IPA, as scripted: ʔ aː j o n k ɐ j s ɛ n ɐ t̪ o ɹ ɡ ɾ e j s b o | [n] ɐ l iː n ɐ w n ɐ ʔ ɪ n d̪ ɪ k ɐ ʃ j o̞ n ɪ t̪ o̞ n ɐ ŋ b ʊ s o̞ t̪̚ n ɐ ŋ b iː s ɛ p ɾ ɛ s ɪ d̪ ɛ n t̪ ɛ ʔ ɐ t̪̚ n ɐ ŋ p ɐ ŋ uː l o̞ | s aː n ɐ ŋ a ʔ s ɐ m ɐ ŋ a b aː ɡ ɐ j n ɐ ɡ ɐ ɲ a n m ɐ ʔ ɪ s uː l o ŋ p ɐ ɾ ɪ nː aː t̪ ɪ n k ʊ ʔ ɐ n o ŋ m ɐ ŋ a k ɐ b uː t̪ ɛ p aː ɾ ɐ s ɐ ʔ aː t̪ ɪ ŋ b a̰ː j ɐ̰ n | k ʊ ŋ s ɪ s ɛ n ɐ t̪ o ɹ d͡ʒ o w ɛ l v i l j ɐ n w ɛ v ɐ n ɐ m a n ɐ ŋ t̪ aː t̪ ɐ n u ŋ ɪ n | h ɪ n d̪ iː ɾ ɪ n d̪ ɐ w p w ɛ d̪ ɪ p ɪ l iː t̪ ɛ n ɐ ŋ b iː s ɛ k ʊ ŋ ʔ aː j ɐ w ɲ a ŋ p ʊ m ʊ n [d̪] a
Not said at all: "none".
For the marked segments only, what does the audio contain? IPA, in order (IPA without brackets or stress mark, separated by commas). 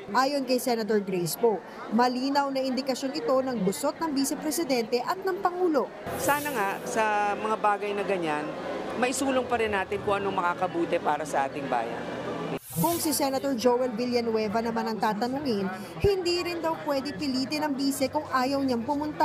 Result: m, t̪